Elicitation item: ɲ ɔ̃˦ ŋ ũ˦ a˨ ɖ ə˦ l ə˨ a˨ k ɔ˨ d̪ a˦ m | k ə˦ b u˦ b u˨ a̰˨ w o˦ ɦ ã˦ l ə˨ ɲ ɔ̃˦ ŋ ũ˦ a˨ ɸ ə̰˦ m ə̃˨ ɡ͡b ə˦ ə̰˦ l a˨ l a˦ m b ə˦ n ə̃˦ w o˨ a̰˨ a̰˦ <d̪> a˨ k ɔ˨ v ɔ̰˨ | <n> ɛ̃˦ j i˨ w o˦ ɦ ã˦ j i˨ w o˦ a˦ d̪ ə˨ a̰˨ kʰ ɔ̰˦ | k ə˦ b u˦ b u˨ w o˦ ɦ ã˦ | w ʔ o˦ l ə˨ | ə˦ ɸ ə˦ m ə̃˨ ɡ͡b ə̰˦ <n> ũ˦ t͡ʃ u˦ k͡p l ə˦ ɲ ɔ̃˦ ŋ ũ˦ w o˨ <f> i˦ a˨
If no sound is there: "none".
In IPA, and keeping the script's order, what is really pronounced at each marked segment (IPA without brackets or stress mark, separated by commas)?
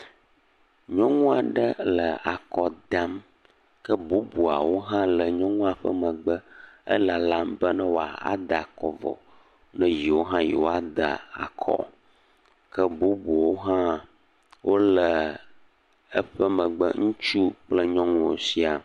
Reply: d̪, n, ŋ, s